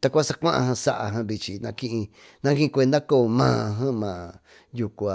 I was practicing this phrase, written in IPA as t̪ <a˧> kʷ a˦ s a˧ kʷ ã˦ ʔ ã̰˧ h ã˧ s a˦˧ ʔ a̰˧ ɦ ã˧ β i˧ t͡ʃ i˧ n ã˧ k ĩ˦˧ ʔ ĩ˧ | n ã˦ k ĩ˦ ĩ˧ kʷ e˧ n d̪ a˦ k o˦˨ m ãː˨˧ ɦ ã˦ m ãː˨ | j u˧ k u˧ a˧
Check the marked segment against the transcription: correct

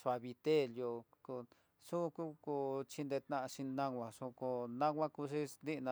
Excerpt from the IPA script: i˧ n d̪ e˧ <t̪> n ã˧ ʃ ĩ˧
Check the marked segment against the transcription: correct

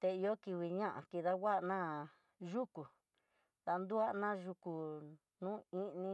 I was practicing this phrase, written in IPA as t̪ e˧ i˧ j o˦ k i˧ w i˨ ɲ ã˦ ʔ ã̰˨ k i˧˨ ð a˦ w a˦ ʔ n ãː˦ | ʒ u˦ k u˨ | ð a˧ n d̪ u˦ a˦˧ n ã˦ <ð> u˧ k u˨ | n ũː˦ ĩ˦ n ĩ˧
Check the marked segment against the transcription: incorrect: ʒ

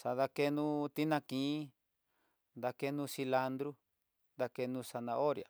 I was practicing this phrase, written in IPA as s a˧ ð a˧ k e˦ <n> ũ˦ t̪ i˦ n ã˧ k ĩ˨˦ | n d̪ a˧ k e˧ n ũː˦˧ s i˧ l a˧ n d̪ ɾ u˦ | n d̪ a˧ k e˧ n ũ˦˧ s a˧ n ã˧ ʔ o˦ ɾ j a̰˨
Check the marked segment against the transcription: correct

